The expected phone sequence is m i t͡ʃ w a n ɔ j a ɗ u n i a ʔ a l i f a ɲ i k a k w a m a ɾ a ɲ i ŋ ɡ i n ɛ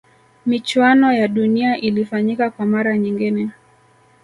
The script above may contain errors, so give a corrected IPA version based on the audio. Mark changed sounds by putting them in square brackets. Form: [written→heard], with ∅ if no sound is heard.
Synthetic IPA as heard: m i t͡ʃ w a n ɔ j a ɗ u n i a ʔ [a→i] l i f a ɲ i k a k w a m a ɾ a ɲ i ŋ ɡ i n ɛ